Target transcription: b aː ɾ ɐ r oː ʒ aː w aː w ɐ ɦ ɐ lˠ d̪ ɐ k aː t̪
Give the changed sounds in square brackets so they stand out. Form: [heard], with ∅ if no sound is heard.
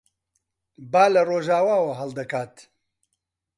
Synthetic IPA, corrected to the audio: b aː [l] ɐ r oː ʒ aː w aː w ɐ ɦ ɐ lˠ d̪ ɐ k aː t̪